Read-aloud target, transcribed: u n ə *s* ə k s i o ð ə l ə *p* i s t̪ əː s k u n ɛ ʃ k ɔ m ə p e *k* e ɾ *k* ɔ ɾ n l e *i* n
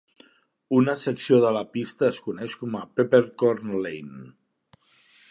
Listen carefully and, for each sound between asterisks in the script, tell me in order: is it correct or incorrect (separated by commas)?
correct, correct, incorrect, correct, incorrect